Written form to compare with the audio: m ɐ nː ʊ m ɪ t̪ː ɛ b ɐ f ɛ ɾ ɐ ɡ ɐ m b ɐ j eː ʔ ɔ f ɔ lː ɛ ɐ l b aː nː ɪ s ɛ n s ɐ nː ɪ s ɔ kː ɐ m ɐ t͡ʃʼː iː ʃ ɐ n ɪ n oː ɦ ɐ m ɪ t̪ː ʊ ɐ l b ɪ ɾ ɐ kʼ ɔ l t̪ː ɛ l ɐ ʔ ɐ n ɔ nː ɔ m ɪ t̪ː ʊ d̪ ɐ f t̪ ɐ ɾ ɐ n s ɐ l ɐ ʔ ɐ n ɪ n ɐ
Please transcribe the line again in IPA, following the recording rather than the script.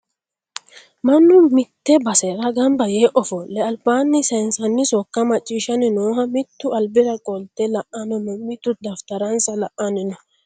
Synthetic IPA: m ɐ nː ʊ m ɪ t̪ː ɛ b ɐ s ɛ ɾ ɐ ɡ ɐ m b ɐ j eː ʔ ɔ f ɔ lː ɛ ɐ l b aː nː ɪ s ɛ n s ɐ nː ɪ s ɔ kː ɐ m ɐ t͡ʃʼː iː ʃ ɐ n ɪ n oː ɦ ɐ m ɪ t̪ː ʊ ɐ l b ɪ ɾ ɐ kʼ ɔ l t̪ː ɛ l ɐ ʔ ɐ n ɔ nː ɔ m ɪ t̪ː ʊ d̪ ɐ f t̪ ɐ ɾ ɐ n s ɐ l ɐ ʔ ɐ n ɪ n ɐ